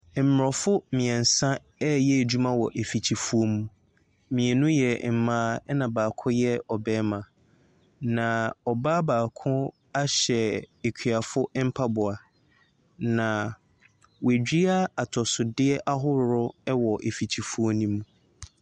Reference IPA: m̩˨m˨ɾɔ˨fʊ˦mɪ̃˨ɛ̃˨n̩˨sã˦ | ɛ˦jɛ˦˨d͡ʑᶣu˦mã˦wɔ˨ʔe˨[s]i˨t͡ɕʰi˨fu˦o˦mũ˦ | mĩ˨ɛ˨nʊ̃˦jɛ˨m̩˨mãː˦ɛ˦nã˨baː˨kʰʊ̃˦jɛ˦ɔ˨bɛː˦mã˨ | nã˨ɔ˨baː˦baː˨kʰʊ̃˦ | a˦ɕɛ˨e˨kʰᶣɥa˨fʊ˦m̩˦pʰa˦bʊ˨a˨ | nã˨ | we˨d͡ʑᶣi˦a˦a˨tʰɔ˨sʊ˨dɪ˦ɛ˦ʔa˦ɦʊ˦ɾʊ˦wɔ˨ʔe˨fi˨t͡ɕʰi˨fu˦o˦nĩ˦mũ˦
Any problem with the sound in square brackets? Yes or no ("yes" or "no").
yes